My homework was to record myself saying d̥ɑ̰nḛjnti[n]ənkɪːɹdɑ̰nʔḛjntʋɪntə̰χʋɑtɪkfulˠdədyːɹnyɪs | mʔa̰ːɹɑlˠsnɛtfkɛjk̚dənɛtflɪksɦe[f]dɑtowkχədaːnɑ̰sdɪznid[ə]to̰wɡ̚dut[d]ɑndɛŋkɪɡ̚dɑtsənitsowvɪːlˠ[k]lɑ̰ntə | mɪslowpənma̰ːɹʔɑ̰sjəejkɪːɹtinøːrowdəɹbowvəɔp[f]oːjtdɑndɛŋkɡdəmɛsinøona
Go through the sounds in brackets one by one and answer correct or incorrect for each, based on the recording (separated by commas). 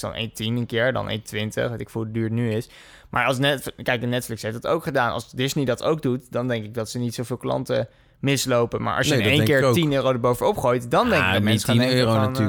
correct, correct, incorrect, correct, correct, incorrect